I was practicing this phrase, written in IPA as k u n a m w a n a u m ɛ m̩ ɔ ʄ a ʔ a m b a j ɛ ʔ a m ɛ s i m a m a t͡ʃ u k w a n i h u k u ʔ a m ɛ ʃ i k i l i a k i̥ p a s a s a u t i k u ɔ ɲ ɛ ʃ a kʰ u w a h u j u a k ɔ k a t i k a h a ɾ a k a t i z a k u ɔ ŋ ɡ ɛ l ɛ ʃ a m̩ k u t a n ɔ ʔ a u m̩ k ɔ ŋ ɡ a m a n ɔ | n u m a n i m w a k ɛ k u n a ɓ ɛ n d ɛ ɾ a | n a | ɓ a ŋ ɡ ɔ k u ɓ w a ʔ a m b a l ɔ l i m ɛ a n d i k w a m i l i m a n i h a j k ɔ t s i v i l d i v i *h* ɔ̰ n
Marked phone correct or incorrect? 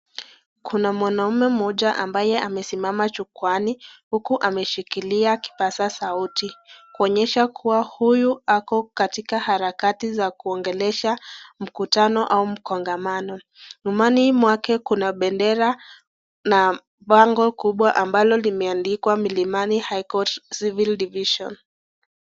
incorrect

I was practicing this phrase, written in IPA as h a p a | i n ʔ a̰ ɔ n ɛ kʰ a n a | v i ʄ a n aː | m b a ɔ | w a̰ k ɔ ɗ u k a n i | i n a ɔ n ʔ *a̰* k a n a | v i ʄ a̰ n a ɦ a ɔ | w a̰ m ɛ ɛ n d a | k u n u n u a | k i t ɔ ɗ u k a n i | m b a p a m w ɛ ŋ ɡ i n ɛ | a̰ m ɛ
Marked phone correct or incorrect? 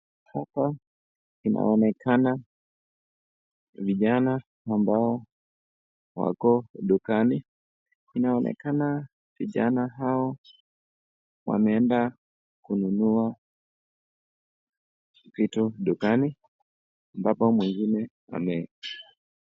incorrect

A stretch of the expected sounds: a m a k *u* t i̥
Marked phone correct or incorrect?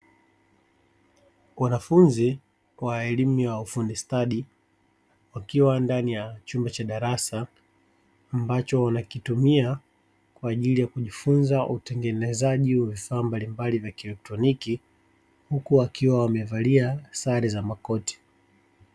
incorrect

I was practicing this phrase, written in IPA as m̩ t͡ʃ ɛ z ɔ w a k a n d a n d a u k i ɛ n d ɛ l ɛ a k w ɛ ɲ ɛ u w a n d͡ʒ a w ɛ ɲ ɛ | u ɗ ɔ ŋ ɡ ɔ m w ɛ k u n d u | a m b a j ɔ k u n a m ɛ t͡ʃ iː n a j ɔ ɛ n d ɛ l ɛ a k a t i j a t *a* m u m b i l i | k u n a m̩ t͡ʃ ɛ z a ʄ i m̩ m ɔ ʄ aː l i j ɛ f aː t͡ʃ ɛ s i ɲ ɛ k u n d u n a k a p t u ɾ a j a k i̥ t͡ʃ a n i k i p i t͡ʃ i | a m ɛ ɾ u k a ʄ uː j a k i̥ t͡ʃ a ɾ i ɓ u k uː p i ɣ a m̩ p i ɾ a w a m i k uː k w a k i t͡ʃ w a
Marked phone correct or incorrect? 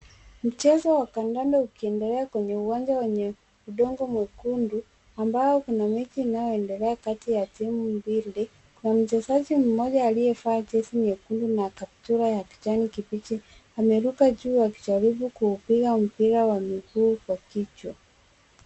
incorrect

